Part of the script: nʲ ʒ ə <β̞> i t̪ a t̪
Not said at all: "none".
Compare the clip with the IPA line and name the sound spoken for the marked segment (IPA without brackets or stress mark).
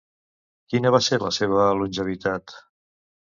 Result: β̞